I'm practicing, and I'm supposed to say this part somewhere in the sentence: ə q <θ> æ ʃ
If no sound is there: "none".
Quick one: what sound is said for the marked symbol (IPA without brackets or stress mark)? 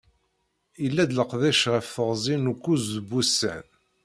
ð